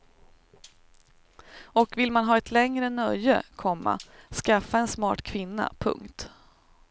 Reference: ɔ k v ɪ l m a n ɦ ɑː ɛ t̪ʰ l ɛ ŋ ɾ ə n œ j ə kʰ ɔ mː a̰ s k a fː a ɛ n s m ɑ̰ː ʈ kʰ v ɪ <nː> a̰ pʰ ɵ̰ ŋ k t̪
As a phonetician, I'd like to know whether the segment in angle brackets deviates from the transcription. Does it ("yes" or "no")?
no